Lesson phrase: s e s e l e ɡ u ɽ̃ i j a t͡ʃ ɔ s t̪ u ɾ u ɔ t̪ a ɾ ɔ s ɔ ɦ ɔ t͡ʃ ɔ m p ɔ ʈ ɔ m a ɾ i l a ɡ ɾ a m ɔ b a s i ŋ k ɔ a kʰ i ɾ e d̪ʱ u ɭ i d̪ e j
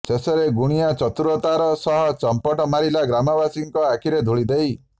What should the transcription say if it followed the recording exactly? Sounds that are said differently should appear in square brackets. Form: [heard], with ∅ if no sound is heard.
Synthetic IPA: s e s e [ɾ] e ɡ u ɽ̃ i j a t͡ʃ ɔ [∅] t̪ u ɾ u ɔ t̪ a ɾ ɔ s ɔ ɦ ɔ t͡ʃ ɔ m p ɔ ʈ ɔ m a ɾ i l a ɡ ɾ a m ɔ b a s i ŋ k ɔ a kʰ i ɾ e d̪ʱ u ɭ i d̪ e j

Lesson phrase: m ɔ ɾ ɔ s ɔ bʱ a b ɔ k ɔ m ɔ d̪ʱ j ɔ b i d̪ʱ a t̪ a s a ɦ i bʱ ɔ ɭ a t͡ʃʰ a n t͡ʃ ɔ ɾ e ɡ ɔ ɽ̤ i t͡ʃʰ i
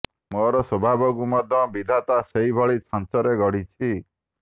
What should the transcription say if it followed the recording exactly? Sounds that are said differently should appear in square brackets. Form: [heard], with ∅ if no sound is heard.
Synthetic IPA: m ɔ ɾ ɔ s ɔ bʱ a b ɔ k [u] m ɔ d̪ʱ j ɔ b i d̪ʱ a t̪ a s [e] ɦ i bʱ ɔ ɭ [i] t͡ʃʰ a n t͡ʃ ɔ ɾ e ɡ ɔ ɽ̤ i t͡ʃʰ i

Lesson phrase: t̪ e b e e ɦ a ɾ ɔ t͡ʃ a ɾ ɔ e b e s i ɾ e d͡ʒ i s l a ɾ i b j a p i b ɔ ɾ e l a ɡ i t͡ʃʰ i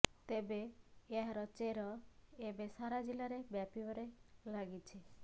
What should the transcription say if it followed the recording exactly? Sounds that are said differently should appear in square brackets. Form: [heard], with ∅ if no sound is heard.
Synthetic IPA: t̪ e b e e ɦ a ɾ ɔ t͡ʃ [e] ɾ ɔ e b e s [a] ɾ [a] d͡ʒ i [∅] l a ɾ [e] b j a p i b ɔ ɾ e l a ɡ i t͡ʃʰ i

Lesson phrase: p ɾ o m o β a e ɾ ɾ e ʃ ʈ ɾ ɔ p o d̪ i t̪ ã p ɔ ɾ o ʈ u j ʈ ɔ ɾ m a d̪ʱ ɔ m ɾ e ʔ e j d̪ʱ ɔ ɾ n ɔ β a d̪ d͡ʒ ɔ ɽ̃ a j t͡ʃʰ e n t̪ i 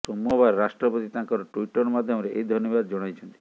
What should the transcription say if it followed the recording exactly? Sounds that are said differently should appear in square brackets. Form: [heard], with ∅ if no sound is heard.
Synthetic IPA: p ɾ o m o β a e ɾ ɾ [a] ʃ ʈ ɾ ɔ p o [t̪] i t̪ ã [k] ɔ ɾ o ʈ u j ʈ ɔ ɾ m a d̪ʱ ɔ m ɾ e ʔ e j d̪ʱ ɔ ɾ n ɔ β a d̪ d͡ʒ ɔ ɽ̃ a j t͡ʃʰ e n t̪ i

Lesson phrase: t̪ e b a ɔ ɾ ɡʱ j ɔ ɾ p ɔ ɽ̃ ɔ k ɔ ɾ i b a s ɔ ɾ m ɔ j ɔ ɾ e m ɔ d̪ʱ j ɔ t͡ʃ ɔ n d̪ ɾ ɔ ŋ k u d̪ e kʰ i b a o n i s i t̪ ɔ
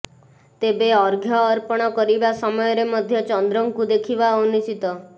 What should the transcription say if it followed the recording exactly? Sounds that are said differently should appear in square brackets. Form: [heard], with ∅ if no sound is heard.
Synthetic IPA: t̪ e b [e] ɔ ɾ ɡʱ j [ɔː] ɾ p ɔ ɽ̃ ɔ k ɔ ɾ i b a s ɔ [∅] m ɔ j ɔ ɾ e m ɔ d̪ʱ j ɔ t͡ʃ ɔ n d̪ ɾ ɔ ŋ k u d̪ e kʰ i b a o n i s i t̪ ɔ

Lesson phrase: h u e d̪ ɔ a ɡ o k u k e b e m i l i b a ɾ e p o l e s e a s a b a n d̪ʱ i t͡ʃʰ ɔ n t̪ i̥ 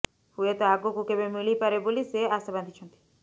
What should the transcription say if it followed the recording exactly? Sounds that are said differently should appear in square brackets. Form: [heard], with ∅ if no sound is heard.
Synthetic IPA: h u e [t̪] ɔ a ɡ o k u k e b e m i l i [p] a ɾ e [b] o l [i] s e a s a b a n d̪ʱ i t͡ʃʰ ɔ n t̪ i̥

